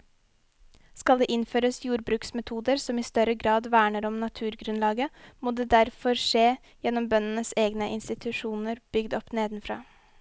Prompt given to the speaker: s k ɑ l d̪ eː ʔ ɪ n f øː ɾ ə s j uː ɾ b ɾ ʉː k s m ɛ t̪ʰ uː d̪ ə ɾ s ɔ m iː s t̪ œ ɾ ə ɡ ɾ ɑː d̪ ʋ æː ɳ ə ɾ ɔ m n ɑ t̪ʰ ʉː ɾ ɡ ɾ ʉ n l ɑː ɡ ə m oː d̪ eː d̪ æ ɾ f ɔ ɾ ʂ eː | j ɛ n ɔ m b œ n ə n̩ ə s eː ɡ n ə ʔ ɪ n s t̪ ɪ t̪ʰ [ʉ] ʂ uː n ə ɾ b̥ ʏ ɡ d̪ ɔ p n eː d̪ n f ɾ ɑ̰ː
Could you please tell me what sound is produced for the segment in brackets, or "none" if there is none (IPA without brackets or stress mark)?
ʉ